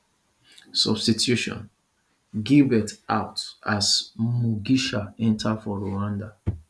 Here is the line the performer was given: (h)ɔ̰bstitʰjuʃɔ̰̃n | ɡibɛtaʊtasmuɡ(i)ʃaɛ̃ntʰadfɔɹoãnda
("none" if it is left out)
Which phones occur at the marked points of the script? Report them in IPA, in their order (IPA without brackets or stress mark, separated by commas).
s, i